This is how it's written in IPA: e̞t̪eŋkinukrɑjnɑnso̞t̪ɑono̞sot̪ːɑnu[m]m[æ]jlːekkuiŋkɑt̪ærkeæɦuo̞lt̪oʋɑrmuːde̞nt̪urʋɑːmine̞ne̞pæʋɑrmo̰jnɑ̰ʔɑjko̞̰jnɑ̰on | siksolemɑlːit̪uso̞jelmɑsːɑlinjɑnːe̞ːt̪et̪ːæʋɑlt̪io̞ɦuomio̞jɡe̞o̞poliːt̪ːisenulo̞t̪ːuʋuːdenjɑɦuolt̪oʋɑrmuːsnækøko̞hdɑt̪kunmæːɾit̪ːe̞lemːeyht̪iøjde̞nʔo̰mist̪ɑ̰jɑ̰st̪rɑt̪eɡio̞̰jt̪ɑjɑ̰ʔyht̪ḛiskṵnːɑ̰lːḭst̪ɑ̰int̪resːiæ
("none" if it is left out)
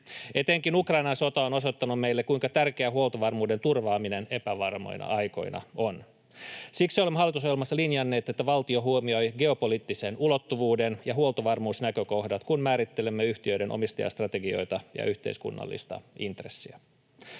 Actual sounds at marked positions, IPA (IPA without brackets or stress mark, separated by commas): m, e